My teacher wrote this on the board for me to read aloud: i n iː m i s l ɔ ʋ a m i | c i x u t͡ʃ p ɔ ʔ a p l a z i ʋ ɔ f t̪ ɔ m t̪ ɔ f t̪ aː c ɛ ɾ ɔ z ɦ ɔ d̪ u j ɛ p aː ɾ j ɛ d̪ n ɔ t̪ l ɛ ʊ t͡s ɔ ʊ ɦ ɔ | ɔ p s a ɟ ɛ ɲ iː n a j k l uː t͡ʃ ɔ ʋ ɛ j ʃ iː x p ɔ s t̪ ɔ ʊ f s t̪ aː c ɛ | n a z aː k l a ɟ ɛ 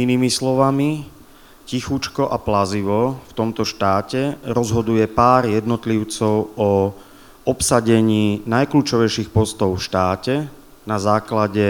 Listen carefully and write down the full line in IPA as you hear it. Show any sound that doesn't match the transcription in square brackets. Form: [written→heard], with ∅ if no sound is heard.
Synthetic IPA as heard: i n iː m i s l ɔ ʋ a m i | c i x u t͡ʃ [p→k] ɔ ʔ a p l a z i ʋ ɔ f t̪ ɔ m t̪ ɔ [f→ʃ] t̪ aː c ɛ ɾ ɔ z ɦ ɔ d̪ u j ɛ p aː ɾ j ɛ d̪ n ɔ t̪ l [ɛ→i] ʊ t͡s ɔ ʊ [ɦ→∅] ɔ | ɔ p s a ɟ ɛ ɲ iː n a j k l uː t͡ʃ ɔ ʋ ɛ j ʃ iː x p ɔ s t̪ ɔ ʊ f [s→ʃ] t̪ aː c ɛ | n a z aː k l a ɟ ɛ